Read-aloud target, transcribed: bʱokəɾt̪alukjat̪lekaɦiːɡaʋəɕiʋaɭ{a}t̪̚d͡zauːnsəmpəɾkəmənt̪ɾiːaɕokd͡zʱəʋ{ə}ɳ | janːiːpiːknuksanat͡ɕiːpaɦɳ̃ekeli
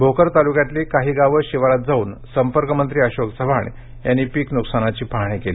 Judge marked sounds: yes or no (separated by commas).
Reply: yes, no